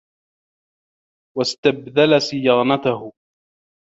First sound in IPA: w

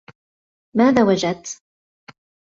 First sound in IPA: m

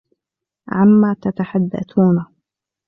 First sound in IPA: ʕ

